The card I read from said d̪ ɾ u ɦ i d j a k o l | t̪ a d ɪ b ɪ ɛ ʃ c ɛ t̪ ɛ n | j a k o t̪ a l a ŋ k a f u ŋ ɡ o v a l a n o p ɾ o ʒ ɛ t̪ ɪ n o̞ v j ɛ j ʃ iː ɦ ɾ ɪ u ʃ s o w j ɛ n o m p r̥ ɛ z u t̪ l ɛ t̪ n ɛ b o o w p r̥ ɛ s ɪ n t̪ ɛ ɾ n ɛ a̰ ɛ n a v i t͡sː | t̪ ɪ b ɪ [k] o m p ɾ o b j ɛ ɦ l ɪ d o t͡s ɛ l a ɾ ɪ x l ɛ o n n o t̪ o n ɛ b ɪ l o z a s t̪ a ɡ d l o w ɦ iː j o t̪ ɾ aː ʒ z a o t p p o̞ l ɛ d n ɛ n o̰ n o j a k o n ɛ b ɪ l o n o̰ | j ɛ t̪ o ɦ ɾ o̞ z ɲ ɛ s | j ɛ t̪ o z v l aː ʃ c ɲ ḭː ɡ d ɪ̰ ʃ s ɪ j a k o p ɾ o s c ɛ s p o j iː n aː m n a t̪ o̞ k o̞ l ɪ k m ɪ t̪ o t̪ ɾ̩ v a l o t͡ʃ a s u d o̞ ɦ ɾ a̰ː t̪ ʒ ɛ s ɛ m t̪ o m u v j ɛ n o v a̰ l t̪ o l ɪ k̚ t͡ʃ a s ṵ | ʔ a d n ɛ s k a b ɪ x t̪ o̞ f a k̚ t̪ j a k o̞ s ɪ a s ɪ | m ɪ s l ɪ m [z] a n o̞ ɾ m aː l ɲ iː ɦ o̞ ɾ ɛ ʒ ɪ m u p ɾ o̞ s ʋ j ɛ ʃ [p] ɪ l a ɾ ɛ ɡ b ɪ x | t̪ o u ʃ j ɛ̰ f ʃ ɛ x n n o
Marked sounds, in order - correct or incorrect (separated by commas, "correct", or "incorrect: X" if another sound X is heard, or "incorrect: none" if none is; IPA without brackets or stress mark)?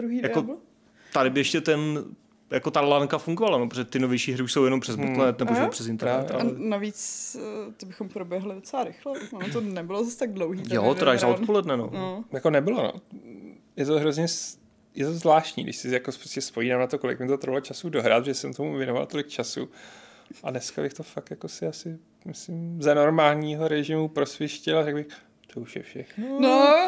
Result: incorrect: x, correct, incorrect: c